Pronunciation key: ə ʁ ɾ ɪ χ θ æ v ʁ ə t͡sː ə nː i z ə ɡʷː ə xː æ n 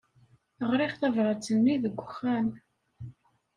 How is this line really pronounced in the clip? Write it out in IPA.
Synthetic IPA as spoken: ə ʁ ɾ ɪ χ θ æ v ʁ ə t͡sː ə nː i ð ə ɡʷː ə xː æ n